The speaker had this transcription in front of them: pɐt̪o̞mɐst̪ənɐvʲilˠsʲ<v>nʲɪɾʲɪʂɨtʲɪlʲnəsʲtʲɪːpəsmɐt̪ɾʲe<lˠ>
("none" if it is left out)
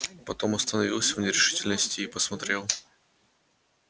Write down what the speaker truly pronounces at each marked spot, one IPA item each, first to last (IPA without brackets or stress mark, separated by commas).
v, lˠ